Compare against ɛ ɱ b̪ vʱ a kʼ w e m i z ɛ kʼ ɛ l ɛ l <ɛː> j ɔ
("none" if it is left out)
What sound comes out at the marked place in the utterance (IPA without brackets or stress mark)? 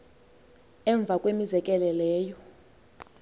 ɛː